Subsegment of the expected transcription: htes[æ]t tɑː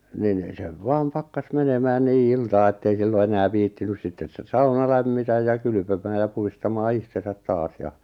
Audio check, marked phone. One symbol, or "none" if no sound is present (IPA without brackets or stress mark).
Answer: æ